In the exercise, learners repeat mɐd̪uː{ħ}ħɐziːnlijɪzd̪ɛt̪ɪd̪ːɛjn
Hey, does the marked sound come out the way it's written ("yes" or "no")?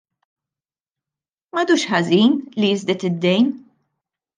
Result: no